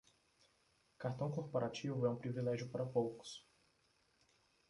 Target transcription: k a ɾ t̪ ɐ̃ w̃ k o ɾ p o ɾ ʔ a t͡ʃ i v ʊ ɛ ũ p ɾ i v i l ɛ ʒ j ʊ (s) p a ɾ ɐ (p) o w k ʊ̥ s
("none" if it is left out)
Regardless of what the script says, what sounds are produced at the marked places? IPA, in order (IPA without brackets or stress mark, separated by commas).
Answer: none, p